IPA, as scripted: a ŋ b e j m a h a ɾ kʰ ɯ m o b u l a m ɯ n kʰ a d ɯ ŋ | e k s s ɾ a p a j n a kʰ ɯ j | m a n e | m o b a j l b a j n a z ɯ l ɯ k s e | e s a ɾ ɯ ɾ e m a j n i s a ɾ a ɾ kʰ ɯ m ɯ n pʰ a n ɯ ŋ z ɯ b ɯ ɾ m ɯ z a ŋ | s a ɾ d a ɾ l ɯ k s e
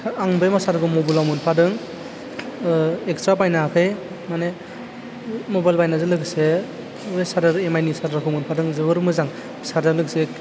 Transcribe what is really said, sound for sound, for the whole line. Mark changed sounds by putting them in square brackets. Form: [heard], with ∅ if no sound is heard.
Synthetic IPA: a ŋ b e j m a [s] a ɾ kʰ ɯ m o b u l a m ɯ n [pʰ] a d ɯ ŋ | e k s [t] ɾ a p a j n a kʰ ɯ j | m a n e | m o b a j l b a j n a z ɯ l ɯ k s e | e s a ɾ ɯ ɾ e m a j n i s a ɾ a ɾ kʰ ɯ m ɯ n pʰ a [d] ɯ ŋ z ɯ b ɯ ɾ m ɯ z a ŋ | s a ɾ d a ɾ l ɯ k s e